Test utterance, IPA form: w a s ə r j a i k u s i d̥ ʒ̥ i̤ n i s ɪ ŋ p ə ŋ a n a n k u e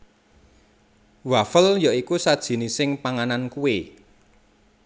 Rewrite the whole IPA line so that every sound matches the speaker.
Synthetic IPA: w a f ə l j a i k u s a d̥ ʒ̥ i̤ n i s ɪ ŋ p a ŋ a n a n k u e

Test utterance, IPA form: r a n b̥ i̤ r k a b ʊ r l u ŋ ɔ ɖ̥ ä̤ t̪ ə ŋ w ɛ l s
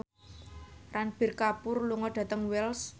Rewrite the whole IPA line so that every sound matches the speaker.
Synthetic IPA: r a n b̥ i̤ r k a p ʊ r l u ŋ ɔ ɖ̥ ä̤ t̪ ə ŋ w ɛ l s

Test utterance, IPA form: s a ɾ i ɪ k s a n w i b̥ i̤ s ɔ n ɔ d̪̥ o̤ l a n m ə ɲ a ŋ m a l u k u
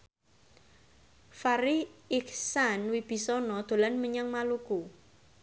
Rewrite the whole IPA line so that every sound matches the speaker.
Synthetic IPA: f a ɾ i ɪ k s a n w i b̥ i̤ s ɔ n ɔ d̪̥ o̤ l a n m ə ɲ a ŋ m a l u k u

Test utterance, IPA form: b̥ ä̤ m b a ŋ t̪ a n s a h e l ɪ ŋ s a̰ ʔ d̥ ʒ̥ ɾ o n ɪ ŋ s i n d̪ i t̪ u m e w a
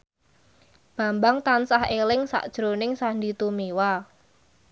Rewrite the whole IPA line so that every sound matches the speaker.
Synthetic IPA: b̥ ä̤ m b a ŋ t̪ a n s a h e l ɪ ŋ s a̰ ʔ d̥ ʒ̥ ɾ o n ɪ ŋ s a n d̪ i t̪ u m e w a

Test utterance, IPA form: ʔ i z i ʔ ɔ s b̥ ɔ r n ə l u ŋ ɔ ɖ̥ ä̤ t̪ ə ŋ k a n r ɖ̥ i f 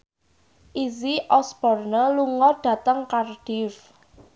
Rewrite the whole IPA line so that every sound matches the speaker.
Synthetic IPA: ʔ i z i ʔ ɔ s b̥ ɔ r n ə l u ŋ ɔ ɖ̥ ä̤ t̪ ə ŋ k a r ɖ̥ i f

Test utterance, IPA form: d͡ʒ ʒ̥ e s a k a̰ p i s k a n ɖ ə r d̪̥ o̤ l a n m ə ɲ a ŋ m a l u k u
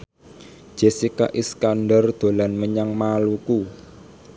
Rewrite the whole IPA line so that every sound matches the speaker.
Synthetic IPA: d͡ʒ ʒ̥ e s i k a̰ ʔ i s k a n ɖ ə r d̪̥ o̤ l a n m ə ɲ a ŋ m a l u k u

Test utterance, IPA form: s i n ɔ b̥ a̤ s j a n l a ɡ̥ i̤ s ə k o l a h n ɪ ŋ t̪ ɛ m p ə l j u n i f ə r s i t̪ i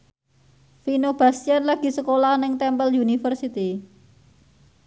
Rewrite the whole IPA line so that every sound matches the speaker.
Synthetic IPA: f i n o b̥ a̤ s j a n l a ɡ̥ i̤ s ə k o l a h n ɪ ŋ t̪ ɛ m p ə l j u n i f ə r s i t̪ i

